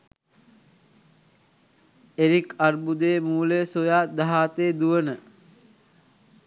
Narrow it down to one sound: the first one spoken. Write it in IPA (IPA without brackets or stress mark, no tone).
e